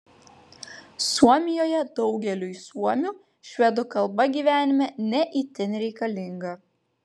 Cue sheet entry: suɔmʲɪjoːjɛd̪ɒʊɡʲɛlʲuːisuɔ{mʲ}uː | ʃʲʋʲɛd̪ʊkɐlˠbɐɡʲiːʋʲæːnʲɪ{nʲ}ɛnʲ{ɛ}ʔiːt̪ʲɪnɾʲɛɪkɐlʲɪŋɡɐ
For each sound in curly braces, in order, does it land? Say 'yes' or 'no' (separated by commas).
yes, no, yes